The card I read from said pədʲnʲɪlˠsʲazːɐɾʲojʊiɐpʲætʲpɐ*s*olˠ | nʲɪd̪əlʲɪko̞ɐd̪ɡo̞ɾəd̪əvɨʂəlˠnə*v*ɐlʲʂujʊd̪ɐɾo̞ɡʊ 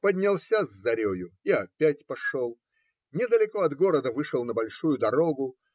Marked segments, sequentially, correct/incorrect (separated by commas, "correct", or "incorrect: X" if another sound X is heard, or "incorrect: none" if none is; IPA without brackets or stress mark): incorrect: ʂ, incorrect: b